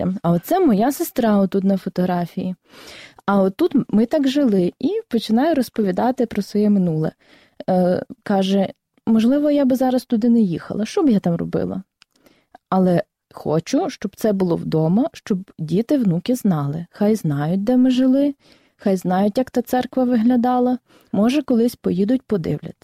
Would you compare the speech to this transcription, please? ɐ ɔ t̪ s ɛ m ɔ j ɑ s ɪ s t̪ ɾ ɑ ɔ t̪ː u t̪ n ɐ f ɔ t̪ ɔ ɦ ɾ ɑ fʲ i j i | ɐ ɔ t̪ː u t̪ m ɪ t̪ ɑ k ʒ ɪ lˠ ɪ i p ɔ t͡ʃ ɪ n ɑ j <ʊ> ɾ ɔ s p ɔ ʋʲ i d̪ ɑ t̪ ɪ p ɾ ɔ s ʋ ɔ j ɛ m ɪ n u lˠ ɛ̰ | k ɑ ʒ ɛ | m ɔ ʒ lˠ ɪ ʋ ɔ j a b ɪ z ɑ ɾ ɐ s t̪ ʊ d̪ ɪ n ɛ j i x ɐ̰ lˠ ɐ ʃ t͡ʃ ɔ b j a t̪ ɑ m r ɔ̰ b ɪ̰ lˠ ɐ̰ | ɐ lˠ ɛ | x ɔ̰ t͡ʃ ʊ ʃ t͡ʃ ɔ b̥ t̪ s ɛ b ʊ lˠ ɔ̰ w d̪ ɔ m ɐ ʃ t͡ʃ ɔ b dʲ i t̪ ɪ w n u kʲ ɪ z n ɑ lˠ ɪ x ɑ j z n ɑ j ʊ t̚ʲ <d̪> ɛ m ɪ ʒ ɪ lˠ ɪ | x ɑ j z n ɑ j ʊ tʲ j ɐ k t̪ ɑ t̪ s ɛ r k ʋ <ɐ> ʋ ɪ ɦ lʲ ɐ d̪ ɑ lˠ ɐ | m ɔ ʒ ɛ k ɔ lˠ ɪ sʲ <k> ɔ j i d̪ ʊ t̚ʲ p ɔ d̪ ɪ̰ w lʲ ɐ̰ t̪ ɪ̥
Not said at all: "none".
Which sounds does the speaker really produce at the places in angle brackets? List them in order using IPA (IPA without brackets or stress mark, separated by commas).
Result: ʊ, d̪, ɐ, p